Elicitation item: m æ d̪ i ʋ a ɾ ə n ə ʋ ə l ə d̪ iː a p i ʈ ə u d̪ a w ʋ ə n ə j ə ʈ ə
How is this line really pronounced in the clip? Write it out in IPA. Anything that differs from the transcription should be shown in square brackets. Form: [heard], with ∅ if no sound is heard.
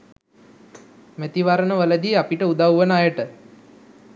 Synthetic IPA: m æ [t̪] i ʋ a ɾ ə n ə ʋ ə l ə d̪ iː a p i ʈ ə u d̪ a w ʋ ə n [a] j ə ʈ ə